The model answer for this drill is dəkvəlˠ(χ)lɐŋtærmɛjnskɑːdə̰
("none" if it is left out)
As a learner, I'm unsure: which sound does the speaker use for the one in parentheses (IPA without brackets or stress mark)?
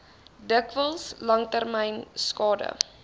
s